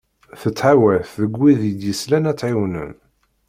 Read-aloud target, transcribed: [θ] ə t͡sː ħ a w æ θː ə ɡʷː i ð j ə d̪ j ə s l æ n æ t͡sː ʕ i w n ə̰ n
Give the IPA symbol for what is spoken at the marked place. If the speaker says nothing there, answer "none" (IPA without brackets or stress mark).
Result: θ